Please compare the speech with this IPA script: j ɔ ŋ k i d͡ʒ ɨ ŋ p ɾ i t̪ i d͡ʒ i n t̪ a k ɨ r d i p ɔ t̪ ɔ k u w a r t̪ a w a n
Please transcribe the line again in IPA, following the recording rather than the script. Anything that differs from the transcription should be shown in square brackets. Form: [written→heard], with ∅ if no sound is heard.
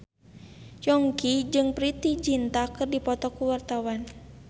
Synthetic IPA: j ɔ ŋ k i d͡ʒ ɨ ŋ p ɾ i t̪ i d͡ʒ i n t̪ a k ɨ r d i p ɔ t̪ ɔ k u w a r t̪ a w a n